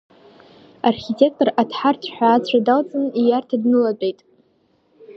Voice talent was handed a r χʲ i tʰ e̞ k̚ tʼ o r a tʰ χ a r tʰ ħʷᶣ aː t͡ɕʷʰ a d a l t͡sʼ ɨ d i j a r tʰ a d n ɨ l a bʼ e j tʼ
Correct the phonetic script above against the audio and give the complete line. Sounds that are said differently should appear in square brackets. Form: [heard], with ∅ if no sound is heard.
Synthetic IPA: a r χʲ i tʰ e̞ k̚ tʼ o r a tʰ [ħ] a r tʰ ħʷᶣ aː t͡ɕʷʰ a d a l t͡sʼ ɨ [n] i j a r tʰ a d n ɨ l a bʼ e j tʼ